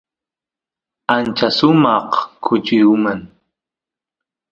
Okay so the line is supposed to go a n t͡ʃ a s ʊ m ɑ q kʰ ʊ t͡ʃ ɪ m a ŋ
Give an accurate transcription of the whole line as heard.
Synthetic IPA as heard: a n t͡ʃ a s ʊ m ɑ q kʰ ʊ t͡ʃ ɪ m a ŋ